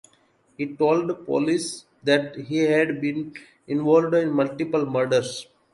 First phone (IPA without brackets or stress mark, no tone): h